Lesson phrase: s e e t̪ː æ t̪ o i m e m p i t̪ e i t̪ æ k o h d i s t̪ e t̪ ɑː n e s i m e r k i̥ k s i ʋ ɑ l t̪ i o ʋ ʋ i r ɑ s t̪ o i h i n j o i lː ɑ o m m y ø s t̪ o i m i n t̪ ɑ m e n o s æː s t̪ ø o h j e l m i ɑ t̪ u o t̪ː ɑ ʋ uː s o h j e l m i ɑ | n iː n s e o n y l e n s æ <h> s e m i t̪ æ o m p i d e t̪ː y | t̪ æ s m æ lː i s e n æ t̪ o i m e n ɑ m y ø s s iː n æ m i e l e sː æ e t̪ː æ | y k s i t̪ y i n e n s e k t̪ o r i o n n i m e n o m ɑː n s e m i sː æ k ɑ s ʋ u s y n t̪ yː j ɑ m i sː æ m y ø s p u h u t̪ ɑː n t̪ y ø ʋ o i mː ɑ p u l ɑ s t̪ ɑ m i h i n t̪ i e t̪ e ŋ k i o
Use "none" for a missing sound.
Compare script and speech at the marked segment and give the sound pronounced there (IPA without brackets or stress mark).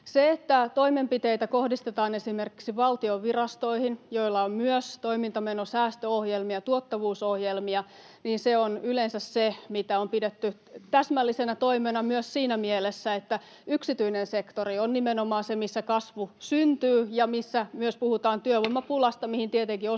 s